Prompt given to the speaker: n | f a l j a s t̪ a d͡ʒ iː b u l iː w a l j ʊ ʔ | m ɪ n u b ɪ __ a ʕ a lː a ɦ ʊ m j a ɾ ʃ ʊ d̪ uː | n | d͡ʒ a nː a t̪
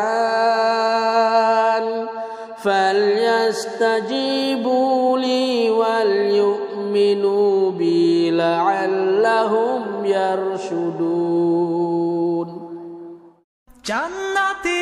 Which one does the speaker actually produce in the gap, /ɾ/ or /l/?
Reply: l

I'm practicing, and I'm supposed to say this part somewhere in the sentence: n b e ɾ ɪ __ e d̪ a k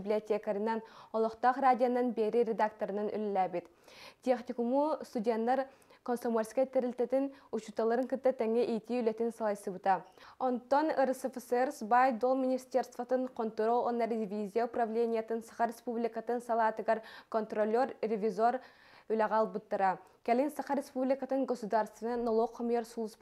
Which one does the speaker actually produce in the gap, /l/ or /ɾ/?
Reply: ɾ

